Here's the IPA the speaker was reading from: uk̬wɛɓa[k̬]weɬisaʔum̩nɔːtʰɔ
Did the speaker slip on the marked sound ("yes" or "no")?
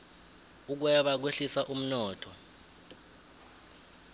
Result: no